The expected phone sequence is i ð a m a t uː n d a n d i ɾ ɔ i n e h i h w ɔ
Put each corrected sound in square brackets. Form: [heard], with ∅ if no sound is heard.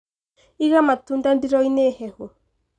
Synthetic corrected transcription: i [ɣ] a m a t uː n d a n d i ɾ ɔ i n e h [ɛ] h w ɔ